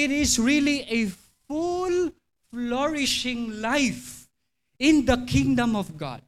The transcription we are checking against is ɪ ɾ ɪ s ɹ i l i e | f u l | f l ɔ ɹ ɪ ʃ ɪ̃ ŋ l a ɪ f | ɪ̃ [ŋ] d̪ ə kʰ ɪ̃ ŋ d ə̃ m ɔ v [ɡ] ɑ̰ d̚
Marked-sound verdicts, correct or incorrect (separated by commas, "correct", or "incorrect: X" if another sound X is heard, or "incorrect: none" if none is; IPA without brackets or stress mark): incorrect: n, correct